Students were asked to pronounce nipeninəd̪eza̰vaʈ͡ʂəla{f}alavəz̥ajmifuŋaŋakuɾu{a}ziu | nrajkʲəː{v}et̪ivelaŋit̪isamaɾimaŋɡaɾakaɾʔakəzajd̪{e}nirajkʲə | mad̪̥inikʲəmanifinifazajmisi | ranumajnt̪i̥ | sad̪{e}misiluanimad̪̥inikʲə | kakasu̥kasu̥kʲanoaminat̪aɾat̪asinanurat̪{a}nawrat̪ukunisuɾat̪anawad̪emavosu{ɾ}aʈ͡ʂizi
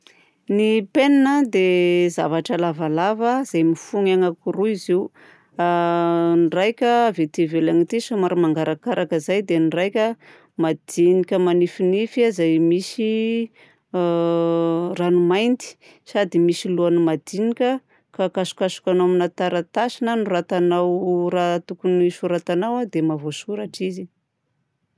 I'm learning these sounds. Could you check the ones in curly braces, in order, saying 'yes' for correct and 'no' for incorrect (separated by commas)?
no, no, yes, yes, no, yes, yes